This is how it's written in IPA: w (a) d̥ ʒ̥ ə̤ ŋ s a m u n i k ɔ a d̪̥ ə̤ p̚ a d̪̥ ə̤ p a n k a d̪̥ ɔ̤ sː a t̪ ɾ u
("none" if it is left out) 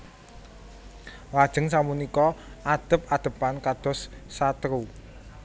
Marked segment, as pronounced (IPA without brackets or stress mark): a